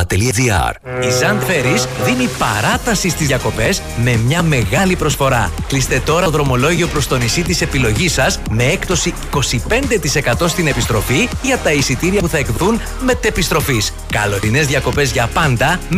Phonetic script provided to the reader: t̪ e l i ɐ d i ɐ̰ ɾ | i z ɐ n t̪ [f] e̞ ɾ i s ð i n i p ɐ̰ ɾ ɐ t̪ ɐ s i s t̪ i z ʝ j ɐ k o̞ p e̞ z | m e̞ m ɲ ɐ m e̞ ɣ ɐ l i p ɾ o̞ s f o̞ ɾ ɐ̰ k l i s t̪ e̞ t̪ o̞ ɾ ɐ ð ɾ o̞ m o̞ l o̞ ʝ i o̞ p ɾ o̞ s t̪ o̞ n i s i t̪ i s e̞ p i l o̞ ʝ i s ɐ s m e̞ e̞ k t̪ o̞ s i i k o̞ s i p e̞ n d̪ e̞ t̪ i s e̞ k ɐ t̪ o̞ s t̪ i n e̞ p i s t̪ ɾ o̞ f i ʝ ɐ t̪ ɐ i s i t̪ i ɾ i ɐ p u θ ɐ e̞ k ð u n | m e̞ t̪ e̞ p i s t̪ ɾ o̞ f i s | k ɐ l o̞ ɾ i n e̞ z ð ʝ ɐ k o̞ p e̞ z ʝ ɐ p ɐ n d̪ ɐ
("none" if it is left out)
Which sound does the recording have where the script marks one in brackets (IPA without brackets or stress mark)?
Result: f